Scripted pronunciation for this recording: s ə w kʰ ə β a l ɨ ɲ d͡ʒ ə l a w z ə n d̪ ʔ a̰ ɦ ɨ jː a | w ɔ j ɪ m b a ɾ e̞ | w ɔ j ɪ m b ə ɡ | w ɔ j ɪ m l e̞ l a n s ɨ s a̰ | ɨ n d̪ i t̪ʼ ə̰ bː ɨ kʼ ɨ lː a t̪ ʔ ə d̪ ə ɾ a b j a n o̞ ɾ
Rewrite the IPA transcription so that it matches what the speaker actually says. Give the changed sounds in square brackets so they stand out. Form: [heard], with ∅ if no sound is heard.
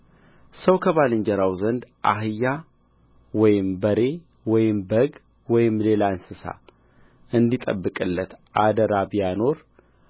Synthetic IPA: s ə w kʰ ə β a l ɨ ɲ d͡ʒ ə [ɾ] a w z ə n d̪ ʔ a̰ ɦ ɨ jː a | w ɔ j ɪ m b [ə] ɾ e̞ | w ɔ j ɪ m b ə ɡ | w ɔ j ɪ m l e̞ l a n s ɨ s a̰ | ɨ n d̪ i t̪ʼ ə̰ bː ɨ kʼ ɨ lː [ə] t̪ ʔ [a] d̪ ə ɾ a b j a n o̞ ɾ